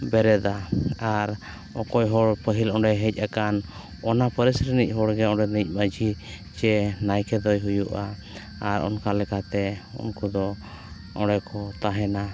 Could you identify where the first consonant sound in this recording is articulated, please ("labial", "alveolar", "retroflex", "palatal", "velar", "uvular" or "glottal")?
labial